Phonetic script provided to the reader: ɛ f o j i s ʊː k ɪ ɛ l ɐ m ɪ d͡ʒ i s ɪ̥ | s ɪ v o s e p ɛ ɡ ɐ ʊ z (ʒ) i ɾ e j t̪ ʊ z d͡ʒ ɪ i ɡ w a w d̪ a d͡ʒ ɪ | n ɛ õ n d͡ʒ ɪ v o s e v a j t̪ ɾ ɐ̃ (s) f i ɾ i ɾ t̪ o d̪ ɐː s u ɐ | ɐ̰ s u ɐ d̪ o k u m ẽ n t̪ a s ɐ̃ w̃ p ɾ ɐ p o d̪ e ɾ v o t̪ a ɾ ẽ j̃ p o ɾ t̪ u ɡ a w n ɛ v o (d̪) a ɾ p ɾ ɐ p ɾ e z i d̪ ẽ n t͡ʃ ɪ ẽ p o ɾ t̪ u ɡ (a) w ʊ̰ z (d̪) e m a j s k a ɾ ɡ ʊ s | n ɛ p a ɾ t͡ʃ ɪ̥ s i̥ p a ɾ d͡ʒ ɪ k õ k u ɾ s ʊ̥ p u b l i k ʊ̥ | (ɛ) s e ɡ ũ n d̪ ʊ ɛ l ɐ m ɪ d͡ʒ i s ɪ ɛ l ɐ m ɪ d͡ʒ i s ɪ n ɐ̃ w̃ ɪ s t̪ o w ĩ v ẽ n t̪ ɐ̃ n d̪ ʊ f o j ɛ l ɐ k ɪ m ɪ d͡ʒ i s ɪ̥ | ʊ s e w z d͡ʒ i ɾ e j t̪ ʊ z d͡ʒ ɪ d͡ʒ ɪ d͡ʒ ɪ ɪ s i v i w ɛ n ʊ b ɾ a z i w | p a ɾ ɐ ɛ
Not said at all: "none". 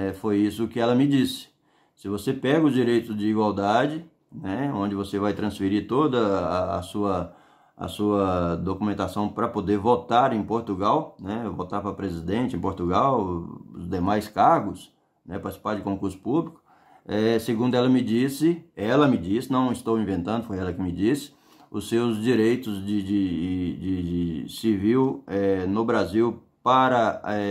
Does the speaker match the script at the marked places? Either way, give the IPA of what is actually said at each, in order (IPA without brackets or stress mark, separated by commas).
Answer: d͡ʒ, s, t̪, a, d̪, ɛ